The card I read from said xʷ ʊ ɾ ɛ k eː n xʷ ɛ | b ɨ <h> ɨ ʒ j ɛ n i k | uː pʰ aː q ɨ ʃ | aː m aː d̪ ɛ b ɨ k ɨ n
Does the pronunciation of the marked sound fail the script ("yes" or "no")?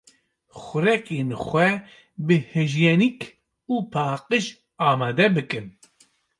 no